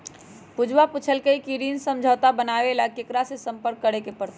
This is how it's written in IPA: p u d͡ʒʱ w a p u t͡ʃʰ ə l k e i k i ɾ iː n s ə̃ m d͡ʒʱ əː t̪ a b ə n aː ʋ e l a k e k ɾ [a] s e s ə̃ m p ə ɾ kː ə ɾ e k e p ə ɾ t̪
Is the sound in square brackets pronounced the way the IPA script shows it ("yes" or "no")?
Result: yes